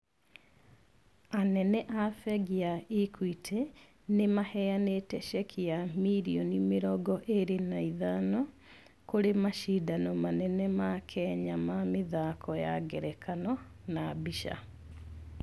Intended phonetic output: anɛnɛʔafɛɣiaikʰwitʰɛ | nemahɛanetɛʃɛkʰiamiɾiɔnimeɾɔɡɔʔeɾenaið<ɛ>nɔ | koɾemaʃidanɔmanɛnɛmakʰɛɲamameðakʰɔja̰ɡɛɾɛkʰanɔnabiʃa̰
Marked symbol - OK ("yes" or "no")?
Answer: no